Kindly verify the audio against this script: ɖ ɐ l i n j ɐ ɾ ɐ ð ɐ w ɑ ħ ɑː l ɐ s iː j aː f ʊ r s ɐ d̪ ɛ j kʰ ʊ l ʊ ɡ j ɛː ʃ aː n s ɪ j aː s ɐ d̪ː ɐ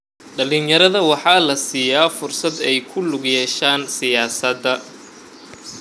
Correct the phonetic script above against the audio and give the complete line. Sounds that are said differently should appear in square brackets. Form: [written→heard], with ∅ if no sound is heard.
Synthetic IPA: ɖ ɐ l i n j ɐ ɾ ɐ ð ɐ w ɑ ħ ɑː l ɐ s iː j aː f ʊ r s ɐ d̪ ɛ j kʰ ʊ l ʊ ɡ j ɛː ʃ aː n s ɪ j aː s ɐ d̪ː ɐ